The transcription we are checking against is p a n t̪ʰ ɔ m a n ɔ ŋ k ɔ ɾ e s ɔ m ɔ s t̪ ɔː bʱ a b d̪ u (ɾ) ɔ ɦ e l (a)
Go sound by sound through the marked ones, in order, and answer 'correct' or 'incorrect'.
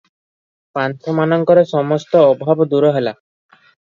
correct, correct

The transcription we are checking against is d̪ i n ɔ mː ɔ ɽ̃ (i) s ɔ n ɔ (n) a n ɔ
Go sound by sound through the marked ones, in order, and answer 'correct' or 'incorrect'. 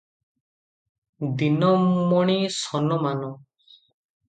correct, incorrect

